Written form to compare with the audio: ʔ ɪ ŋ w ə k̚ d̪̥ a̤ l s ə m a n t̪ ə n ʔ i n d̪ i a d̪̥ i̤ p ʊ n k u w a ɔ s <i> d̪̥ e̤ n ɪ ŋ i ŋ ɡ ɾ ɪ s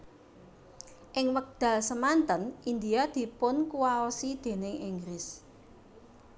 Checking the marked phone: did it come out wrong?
no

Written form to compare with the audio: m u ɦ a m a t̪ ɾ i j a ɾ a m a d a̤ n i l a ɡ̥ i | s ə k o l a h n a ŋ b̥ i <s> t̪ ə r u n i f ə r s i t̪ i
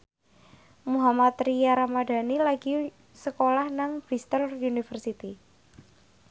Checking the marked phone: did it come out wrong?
no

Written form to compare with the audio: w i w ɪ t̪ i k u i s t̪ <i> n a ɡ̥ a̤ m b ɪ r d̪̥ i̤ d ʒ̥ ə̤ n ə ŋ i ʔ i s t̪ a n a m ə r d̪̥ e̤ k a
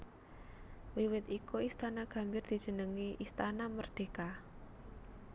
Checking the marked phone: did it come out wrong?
yes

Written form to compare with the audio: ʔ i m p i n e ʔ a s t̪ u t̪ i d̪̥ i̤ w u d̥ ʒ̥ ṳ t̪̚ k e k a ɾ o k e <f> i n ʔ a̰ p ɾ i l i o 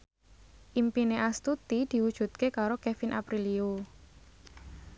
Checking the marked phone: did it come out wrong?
no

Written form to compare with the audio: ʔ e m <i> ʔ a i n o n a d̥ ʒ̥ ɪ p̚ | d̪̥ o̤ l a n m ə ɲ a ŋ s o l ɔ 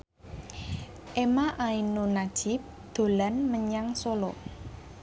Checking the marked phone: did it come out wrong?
yes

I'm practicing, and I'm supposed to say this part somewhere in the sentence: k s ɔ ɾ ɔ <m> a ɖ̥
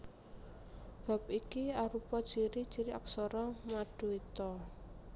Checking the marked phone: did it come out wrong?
no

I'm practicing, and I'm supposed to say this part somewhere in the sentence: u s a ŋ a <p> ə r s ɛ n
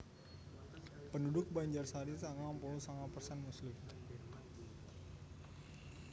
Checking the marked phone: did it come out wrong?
no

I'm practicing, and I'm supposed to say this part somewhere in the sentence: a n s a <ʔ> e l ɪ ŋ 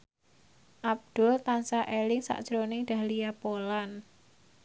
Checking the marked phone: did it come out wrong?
no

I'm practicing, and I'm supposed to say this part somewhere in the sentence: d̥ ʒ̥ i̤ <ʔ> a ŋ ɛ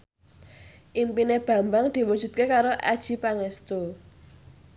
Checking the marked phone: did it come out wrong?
yes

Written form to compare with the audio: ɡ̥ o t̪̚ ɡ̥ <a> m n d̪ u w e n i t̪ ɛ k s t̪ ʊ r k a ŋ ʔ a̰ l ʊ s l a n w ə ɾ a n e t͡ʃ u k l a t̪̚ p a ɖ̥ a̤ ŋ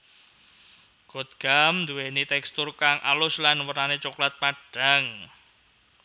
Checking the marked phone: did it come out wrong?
no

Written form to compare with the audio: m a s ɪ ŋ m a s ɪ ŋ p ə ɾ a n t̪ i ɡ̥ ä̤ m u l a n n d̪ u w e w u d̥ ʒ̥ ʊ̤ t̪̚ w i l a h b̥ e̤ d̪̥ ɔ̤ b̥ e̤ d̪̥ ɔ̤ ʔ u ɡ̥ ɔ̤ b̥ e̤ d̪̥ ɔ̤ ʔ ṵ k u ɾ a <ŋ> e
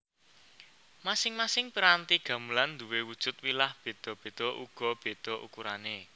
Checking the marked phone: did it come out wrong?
yes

